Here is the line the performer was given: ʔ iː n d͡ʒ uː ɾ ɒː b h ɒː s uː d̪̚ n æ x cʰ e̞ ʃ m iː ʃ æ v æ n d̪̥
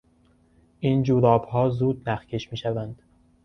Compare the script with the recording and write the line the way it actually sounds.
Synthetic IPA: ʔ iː n d͡ʒ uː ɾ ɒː b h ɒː z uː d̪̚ n æ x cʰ e̞ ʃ m iː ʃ æ v æ n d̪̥